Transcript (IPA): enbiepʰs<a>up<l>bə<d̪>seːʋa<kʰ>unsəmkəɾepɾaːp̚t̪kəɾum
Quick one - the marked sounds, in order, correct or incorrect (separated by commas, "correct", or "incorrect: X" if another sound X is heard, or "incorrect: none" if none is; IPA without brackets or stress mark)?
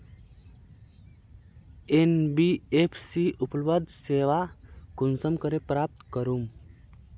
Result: incorrect: i, correct, correct, incorrect: k